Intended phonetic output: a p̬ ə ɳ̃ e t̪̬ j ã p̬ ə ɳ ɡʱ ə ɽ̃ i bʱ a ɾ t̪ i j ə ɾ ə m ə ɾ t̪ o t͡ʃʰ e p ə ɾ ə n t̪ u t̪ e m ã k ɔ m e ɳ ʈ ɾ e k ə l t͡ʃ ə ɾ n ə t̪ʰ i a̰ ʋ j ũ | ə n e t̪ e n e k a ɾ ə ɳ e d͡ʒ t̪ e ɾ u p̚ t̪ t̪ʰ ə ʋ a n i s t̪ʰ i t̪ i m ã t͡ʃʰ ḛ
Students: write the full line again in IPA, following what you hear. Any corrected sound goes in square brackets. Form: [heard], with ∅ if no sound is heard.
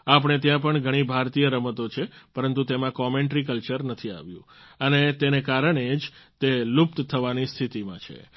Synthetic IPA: a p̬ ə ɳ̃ e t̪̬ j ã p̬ ə ɳ ɡʱ ə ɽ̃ i bʱ a ɾ t̪ i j ə ɾ ə m ə [∅] t̪ o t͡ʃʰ e p ə ɾ ə n t̪ u t̪ e m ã k ɔ m e ɳ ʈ ɾ [i] k ə l t͡ʃ ə ɾ n ə t̪ʰ i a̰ ʋ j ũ | ə n e t̪ e n e k a ɾ ə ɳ e d͡ʒ t̪ e [l] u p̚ t̪ t̪ʰ ə ʋ a n i s t̪ʰ i t̪ i m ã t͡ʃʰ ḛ